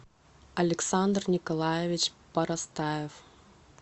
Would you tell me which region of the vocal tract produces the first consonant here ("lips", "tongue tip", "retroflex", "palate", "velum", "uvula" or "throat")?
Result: tongue tip